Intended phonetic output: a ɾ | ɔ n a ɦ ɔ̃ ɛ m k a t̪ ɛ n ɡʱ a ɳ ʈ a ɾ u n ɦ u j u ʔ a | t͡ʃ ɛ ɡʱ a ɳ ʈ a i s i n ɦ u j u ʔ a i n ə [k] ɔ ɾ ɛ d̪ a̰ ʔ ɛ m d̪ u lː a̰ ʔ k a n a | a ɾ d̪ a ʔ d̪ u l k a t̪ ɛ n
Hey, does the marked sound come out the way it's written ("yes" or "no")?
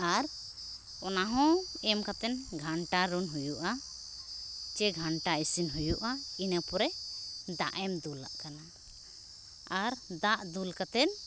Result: no